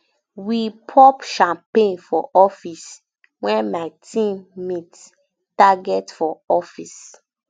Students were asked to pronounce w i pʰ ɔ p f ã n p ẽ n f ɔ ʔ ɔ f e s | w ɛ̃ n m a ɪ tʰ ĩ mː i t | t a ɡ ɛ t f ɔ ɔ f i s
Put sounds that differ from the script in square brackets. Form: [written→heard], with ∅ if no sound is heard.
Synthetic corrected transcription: w i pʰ ɔ p [f→ʃ] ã [n→m] p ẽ n f ɔ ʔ ɔ f [e→i] s | w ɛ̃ n m a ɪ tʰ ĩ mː i t | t a ɡ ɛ t f ɔ ɔ f i s